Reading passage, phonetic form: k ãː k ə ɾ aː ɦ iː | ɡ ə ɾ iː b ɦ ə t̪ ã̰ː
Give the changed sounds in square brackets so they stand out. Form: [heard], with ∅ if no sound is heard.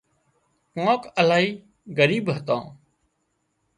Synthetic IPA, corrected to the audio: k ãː k ə [l] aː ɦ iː | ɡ ə ɾ iː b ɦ ə t̪ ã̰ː